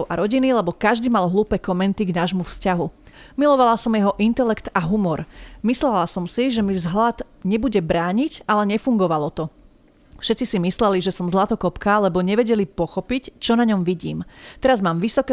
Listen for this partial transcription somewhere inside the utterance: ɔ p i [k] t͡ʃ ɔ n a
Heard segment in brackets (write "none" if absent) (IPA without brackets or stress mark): c